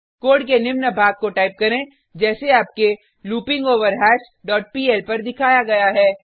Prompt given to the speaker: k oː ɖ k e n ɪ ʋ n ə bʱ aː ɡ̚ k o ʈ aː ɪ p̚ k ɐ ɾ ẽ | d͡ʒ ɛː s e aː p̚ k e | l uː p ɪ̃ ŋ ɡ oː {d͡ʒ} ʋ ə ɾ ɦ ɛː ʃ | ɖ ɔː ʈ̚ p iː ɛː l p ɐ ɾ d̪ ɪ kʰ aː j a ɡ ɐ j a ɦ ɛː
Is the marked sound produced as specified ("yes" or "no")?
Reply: no